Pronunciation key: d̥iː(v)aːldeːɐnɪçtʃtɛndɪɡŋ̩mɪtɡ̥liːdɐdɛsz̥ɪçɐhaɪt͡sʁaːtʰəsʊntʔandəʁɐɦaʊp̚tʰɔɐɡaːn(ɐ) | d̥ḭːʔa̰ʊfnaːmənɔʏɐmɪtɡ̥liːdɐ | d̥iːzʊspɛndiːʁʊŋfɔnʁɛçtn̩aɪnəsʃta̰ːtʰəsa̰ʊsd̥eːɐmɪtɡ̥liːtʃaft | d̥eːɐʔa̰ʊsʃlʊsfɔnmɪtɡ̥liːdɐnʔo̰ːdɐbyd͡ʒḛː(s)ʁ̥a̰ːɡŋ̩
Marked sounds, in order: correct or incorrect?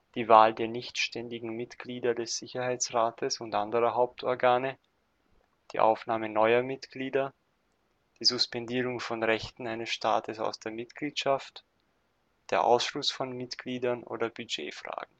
correct, incorrect: ə, incorrect: f

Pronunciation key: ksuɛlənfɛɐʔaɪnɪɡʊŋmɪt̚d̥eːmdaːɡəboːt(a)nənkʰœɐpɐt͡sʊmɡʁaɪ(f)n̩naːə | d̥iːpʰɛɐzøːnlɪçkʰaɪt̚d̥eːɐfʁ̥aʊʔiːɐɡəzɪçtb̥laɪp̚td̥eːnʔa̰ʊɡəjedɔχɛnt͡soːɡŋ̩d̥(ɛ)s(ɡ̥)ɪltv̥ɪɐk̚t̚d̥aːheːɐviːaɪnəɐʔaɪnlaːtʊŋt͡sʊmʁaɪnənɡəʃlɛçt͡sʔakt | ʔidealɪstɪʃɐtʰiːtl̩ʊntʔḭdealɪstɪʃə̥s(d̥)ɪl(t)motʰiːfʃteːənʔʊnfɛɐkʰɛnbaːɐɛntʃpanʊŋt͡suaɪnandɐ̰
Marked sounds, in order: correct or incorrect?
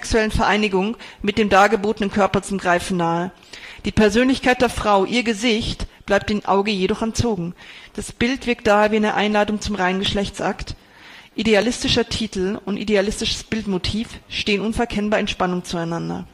incorrect: ə, correct, incorrect: a, incorrect: b̥, incorrect: b̥, correct

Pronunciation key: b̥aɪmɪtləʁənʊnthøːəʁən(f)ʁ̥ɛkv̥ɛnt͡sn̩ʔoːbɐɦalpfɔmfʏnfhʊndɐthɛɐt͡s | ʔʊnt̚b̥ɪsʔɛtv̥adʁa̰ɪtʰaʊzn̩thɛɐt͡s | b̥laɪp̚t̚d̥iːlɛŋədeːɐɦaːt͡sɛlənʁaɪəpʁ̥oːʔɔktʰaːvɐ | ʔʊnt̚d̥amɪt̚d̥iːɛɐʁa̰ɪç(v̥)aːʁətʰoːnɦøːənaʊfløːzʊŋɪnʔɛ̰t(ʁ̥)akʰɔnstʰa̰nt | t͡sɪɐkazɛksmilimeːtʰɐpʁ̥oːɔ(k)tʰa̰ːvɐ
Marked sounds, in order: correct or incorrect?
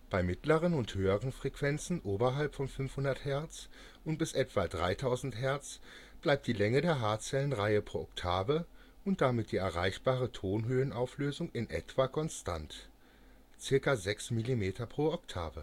correct, incorrect: b̥, incorrect: v̥, correct

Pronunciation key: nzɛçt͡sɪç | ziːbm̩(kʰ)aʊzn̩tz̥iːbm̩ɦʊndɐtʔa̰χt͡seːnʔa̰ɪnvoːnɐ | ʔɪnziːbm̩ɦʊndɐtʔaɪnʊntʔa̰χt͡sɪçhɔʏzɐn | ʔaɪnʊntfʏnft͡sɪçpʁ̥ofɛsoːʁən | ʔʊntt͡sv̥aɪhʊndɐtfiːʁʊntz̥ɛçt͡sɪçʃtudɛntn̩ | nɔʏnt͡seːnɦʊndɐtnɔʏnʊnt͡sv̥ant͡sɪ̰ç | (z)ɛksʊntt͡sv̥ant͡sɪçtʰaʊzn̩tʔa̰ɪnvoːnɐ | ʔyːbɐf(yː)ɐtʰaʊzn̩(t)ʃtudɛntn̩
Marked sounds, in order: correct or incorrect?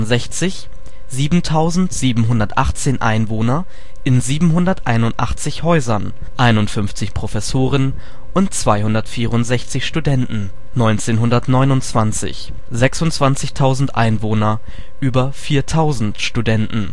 incorrect: tʰ, correct, incorrect: iː, correct

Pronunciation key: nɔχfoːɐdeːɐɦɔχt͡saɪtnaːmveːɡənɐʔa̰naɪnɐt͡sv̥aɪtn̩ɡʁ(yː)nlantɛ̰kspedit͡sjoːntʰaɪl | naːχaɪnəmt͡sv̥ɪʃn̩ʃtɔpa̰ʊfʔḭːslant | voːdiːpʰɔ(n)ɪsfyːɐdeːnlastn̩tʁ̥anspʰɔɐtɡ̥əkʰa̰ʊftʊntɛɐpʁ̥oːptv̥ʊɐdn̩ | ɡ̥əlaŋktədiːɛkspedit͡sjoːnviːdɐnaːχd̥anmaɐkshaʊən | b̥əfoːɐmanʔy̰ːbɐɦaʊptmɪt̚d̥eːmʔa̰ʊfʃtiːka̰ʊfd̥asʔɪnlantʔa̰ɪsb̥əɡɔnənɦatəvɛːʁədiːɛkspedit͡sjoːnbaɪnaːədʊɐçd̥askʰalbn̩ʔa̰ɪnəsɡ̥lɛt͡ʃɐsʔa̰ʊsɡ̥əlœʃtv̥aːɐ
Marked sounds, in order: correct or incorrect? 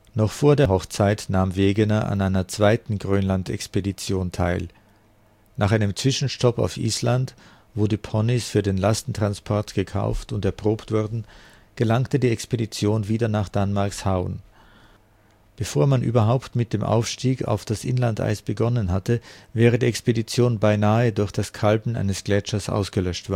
incorrect: øː, correct

